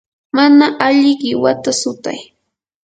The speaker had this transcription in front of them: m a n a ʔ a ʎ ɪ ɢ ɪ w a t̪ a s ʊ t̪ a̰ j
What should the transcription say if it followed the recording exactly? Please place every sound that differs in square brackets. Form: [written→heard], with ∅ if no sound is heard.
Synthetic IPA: m a n a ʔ a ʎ ɪ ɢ ɪ w a t̪ a s ʊ t̪ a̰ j

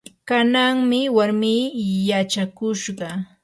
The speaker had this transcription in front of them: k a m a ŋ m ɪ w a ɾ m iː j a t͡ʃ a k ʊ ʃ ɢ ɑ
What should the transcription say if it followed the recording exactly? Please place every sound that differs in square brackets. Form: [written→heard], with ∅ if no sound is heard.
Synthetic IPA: k a [m→n] a ŋ m ɪ w a ɾ m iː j a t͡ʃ a k ʊ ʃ ɢ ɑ

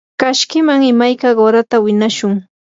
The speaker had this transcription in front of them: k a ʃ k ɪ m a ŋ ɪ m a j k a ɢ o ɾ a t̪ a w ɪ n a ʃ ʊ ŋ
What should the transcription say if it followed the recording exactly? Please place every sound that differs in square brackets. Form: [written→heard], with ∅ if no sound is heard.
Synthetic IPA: k a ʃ k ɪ m a ŋ ɪ m a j k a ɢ o ɾ a t̪ a w ɪ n a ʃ ʊ ŋ

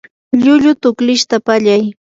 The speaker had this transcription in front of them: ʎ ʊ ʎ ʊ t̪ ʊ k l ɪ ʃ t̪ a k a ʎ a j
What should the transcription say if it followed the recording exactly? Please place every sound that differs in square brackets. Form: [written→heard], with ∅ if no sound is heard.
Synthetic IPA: ʎ ʊ ʎ ʊ t̪ ʊ k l ɪ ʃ t̪ a [k→p] a ʎ a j

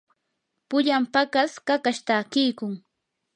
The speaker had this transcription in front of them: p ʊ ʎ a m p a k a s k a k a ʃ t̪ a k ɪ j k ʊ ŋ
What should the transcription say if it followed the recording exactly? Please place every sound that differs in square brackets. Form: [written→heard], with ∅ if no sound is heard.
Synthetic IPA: p ʊ ʎ a m p a k a s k a k a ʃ t̪ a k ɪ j k ʊ ŋ

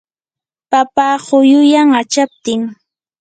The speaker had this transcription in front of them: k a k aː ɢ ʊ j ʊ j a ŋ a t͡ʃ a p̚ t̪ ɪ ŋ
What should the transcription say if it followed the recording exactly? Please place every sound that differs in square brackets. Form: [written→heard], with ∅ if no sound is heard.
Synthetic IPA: [k→p] a [k→p] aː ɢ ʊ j ʊ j a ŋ a t͡ʃ a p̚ t̪ ɪ ŋ

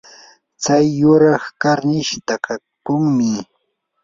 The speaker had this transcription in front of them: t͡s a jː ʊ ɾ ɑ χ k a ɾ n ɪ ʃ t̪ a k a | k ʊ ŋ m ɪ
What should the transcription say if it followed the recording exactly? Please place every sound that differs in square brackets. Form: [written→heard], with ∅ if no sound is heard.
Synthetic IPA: t͡s a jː ʊ ɾ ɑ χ k a ɾ n ɪ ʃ t̪ a k a | k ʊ ŋ m ɪ

